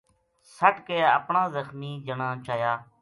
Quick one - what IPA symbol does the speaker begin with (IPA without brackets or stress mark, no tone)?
s